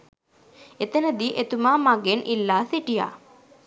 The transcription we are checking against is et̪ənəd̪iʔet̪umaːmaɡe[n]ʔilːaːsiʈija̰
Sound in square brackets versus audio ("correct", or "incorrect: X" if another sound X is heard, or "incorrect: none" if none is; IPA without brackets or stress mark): correct